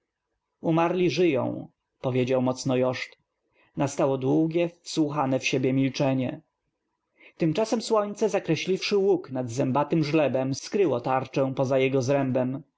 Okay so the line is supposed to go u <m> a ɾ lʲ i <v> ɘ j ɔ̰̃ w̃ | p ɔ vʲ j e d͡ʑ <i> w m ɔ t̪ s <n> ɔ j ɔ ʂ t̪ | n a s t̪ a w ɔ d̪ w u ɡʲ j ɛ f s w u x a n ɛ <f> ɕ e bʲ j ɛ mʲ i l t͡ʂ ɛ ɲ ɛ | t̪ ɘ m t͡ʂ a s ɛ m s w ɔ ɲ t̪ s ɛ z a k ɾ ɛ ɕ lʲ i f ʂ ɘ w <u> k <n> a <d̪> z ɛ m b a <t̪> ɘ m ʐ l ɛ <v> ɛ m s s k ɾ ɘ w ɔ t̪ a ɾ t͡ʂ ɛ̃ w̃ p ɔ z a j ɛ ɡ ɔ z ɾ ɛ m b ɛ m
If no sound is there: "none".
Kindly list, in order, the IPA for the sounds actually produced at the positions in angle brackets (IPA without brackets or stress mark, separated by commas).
m, ʐ, a, n, f, u, n, d̪, t̪, b